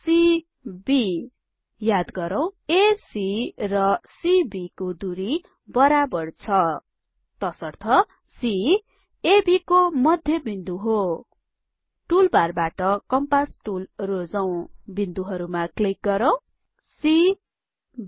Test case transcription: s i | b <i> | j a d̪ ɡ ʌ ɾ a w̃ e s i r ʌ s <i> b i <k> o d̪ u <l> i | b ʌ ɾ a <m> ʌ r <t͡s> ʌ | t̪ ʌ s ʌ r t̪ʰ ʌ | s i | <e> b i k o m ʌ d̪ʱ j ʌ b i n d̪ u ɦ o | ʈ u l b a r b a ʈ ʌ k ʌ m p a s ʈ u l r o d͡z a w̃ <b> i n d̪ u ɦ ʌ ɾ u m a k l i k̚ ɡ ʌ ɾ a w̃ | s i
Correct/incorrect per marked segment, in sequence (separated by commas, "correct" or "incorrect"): correct, correct, correct, incorrect, incorrect, incorrect, correct, correct